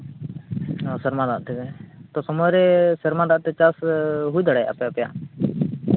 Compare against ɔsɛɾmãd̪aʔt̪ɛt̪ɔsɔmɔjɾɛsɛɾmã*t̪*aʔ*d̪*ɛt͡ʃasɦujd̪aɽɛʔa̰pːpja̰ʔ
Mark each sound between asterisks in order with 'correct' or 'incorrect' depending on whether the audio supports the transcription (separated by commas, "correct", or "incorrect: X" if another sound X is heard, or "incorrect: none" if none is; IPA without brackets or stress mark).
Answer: incorrect: d̪, incorrect: t̪